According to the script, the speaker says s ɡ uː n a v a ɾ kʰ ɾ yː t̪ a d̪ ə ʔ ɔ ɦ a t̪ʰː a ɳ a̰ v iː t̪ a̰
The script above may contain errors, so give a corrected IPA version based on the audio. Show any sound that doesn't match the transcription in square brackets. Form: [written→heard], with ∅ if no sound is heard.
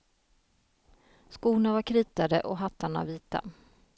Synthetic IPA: s [ɡ→k] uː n a v a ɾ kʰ ɾ [yː→iː] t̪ a d̪ ə ʔ ɔ ɦ a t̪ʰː a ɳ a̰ v iː t̪ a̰